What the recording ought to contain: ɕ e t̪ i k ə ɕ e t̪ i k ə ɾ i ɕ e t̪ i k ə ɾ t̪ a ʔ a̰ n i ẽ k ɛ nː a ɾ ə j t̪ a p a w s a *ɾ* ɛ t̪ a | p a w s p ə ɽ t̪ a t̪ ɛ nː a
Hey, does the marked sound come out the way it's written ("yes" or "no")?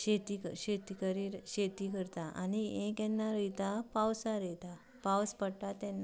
yes